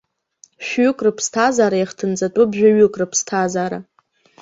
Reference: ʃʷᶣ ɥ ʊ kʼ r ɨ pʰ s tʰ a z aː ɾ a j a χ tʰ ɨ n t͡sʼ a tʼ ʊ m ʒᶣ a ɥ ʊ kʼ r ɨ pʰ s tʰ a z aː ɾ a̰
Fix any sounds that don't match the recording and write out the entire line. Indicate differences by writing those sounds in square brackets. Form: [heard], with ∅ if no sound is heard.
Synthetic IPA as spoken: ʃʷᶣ ɥ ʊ kʼ r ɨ pʰ s tʰ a z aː ɾ a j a χ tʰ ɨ n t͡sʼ a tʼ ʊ [b] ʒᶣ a ɥ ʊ kʼ r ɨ pʰ s tʰ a z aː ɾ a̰